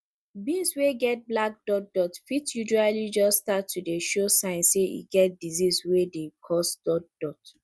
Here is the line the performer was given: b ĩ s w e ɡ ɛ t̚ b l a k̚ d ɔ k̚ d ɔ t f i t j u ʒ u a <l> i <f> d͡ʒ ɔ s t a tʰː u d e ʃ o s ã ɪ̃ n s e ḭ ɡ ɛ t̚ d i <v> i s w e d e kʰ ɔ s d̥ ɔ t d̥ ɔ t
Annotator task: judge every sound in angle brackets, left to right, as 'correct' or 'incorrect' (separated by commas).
correct, incorrect, incorrect